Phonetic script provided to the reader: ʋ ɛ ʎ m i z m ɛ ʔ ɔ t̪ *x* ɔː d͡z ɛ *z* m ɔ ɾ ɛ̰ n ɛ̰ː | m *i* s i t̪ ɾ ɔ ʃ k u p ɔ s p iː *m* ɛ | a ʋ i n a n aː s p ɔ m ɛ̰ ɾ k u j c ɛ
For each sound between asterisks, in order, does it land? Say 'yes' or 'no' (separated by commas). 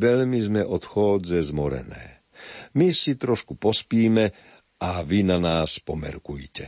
yes, yes, yes, yes